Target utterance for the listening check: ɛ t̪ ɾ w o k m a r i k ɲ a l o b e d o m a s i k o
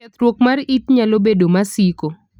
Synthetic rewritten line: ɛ t̪ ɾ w o k m a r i t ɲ a l o b e d o m a s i k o